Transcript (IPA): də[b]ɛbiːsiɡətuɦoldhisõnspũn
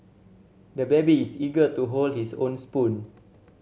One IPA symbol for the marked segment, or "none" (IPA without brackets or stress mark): b